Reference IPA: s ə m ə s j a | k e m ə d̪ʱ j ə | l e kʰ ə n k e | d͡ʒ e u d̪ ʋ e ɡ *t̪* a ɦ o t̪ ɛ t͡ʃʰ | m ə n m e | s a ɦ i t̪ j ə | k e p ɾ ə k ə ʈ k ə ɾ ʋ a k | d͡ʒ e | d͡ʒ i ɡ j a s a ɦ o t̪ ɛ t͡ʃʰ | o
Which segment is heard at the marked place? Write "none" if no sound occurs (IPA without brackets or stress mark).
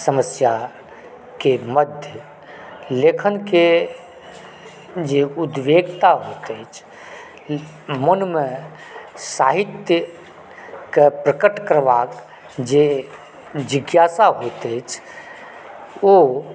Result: t̪